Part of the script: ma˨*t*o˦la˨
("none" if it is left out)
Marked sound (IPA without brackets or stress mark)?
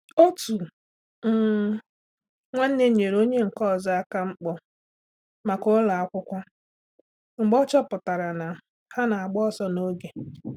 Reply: k